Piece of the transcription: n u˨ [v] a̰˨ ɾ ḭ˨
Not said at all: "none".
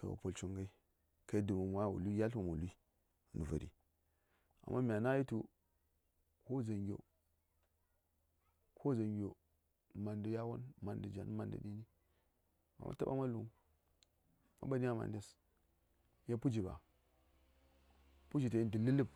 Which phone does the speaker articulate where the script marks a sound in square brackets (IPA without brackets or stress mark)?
v